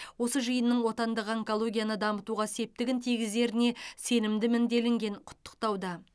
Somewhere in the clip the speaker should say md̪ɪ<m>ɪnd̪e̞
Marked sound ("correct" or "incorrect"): correct